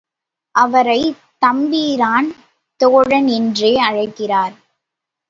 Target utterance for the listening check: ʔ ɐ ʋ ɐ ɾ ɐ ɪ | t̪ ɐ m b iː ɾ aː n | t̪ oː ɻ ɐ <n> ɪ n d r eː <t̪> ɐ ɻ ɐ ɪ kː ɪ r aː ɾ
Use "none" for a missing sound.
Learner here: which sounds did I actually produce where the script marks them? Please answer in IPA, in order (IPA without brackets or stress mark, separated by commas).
n, none